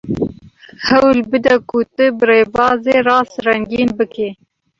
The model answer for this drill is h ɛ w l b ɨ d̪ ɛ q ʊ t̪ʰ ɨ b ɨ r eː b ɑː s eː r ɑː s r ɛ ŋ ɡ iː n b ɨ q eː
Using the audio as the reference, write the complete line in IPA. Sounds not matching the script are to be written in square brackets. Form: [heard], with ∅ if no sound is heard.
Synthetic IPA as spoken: h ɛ w l b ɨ d̪ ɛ [k] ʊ [t̪] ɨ b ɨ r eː b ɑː [z] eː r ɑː s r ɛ ŋ ɡ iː n b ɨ [k] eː